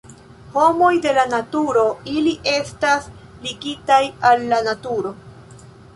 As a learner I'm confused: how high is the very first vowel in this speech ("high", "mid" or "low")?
mid